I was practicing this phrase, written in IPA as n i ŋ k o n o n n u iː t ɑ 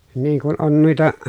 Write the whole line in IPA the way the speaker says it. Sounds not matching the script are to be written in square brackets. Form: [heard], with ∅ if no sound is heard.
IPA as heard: n [iː] ŋ k [u] n o n n u [i] t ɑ